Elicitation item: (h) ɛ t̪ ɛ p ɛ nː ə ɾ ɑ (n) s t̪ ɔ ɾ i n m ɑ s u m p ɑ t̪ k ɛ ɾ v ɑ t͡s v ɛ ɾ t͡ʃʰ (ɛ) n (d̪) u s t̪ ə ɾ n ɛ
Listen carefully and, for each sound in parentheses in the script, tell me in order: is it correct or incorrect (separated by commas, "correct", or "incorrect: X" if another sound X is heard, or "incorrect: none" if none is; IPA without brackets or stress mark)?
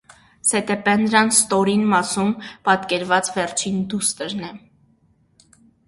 incorrect: s, correct, incorrect: i, correct